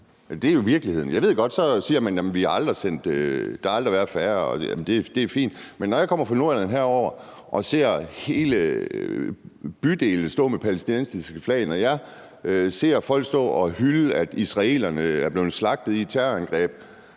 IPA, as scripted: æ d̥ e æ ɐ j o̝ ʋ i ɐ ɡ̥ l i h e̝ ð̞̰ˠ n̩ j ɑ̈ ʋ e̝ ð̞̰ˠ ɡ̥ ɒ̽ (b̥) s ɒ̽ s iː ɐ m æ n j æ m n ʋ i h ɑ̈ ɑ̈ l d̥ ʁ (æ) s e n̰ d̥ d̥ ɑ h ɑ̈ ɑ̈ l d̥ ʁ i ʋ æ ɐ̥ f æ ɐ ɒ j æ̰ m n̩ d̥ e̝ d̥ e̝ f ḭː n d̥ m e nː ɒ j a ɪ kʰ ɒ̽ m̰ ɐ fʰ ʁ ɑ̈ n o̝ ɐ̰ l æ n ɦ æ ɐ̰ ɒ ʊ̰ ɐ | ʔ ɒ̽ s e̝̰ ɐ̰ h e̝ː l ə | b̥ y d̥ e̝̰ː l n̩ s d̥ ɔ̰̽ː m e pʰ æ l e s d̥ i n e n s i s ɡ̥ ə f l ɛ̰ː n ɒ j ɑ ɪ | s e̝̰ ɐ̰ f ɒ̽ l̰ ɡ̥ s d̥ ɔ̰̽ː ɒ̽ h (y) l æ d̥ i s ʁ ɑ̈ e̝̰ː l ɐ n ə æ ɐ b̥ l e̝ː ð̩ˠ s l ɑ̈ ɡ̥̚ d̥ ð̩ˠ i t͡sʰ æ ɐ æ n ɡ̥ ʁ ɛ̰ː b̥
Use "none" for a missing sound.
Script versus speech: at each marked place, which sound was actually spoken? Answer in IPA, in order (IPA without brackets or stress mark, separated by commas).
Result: d̥, i, y